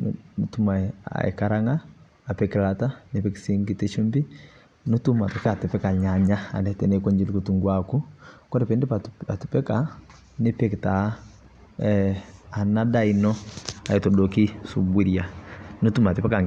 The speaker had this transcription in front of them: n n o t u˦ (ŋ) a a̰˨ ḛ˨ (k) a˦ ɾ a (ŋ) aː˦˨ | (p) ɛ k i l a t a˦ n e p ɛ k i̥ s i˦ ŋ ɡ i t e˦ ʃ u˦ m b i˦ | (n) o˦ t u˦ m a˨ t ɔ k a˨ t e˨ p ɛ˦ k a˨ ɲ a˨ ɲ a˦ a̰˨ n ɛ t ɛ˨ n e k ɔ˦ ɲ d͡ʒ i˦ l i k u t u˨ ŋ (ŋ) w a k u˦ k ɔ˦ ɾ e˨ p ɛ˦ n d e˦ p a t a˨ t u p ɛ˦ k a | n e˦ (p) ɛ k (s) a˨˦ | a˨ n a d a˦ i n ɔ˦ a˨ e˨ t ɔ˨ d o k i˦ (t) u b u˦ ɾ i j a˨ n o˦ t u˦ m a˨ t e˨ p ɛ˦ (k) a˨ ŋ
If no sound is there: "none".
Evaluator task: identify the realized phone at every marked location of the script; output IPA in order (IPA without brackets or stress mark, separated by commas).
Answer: m, k, ŋ, p, n, ɡ, p, t, s, k